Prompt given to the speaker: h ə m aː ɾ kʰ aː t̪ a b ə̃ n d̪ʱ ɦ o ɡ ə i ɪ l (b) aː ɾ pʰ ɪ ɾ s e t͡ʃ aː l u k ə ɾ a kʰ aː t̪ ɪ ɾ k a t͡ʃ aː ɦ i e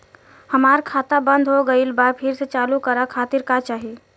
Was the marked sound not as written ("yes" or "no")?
no